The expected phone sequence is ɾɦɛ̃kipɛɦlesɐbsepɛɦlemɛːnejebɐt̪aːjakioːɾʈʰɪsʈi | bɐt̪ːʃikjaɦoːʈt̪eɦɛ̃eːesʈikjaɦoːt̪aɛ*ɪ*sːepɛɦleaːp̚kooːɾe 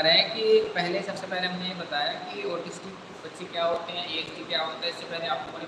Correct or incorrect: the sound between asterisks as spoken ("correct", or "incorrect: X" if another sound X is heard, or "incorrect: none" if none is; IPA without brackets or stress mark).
correct